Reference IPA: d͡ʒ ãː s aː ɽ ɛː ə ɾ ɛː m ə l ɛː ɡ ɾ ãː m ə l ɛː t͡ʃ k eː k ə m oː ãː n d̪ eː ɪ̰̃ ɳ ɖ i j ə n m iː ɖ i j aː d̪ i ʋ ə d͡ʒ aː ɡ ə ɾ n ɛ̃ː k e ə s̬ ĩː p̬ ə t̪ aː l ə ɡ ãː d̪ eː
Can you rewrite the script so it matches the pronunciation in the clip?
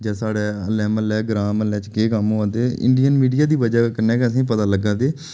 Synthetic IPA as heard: d͡ʒ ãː s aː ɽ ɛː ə l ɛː m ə l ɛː ɡ ɾ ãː m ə l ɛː t͡ʃ k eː k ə m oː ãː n d̪ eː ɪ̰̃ ɳ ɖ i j ə n m iː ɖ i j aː d̪ iː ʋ ə d͡ʒ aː k ə ɾ n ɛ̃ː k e ə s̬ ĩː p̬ ə t̪ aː l ə ɡ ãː d̪ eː